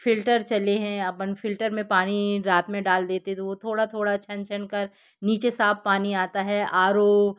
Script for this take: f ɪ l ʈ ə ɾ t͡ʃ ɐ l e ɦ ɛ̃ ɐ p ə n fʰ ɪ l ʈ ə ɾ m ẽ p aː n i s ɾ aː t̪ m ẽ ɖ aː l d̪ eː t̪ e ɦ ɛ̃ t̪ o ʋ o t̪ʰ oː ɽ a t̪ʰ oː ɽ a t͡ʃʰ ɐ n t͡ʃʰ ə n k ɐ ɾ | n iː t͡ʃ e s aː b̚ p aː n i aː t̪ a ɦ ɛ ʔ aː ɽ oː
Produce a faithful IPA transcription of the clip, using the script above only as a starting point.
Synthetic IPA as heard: f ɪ l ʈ ə ɾ t͡ʃ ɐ l e ɦ ɛ̃ ɐ p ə n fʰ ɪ l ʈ ə ɾ m ẽ p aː n i ɾ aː t̪ m ẽ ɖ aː l d̪ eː t̪ e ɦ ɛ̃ t̪ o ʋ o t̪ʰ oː ɽ a t̪ʰ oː ɽ a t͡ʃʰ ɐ n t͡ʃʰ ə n k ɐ ɾ | n iː t͡ʃ e s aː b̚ p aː n i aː t̪ a ɦ ɛ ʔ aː ɾ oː